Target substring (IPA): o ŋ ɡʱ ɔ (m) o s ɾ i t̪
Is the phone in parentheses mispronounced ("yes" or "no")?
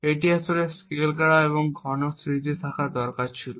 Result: yes